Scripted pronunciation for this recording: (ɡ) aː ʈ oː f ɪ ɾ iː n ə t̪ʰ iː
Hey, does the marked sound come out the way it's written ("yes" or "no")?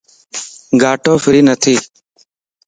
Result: yes